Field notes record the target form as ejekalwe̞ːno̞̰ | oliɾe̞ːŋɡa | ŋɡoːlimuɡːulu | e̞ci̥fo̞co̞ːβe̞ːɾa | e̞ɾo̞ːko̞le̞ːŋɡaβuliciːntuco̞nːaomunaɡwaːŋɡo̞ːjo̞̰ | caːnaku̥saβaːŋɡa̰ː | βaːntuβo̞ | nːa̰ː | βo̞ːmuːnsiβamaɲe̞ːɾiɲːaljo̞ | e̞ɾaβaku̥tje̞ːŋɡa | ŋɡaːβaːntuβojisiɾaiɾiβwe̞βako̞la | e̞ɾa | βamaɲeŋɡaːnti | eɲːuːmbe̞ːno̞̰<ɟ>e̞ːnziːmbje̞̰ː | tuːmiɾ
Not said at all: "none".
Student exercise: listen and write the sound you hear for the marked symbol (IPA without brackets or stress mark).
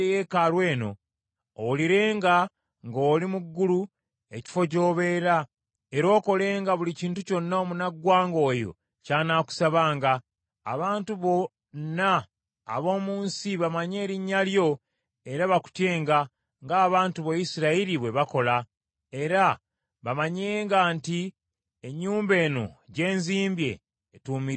ɟ